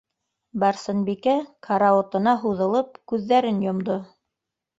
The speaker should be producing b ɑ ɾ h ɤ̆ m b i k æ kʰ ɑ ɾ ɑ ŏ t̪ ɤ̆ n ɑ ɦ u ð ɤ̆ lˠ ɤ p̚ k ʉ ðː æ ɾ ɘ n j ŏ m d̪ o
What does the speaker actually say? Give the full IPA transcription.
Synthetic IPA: b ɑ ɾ s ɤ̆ n b i k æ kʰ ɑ ɾ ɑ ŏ t̪ ɤ̆ n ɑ ɦ u ð ɤ̆ lˠ ɤ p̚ k ʉ ðː æ ɾ ɘ n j ŏ m d̪ o